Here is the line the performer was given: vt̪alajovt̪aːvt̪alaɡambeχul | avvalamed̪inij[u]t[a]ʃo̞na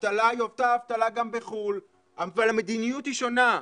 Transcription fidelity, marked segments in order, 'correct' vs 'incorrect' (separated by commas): correct, incorrect